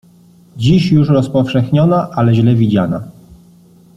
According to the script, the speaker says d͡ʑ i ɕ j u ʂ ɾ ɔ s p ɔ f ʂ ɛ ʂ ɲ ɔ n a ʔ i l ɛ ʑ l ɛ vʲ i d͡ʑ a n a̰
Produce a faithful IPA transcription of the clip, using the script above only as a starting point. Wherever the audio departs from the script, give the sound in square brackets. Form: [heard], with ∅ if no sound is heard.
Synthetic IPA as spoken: d͡ʑ i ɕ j u ʂ ɾ ɔ s p ɔ f ʂ ɛ [x] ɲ ɔ n a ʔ [a] l ɛ ʑ l ɛ vʲ i d͡ʑ a n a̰